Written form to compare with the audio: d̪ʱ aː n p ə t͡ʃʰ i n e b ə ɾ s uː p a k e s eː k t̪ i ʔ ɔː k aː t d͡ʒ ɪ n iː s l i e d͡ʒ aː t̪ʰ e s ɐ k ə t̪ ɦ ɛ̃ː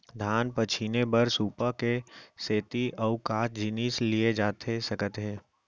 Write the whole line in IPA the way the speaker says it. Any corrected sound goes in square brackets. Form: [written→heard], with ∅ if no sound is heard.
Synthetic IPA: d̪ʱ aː n p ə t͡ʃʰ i n e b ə ɾ s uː p a k e s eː [k→∅] t̪ i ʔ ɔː k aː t d͡ʒ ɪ n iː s l i e d͡ʒ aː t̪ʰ e s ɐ k ə t̪ ɦ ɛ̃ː